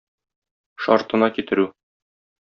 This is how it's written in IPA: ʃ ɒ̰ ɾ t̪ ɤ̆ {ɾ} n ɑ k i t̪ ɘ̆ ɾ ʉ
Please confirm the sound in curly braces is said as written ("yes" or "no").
no